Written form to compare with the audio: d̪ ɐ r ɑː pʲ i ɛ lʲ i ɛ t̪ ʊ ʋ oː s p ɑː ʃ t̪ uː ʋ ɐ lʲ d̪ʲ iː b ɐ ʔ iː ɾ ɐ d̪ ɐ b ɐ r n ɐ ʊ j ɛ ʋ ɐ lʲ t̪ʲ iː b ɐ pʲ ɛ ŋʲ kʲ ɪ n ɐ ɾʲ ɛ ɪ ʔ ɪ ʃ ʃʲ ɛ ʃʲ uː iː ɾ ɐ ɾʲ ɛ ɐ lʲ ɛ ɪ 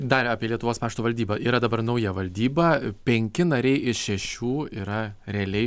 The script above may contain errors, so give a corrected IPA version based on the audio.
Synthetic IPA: d̪ ɐ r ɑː pʲ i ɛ lʲ i ɛ t̪ ʊ ʋ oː s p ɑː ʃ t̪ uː ʋ ɐ lʲ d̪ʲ iː b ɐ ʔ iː ɾ ɐ d̪ ɐ b ɐ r n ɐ ʊ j ɛ ʋ ɐ lʲ d̪ʲ iː b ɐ pʲ ɛ ŋʲ kʲ ɪ n ɐ ɾʲ ɛ ɪ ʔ ɪ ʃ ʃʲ ɛ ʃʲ uː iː ɾ ɐ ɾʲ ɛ ɐ lʲ ɛ ɪ